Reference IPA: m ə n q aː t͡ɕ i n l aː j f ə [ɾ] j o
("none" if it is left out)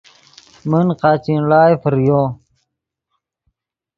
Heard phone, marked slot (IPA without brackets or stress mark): ɾ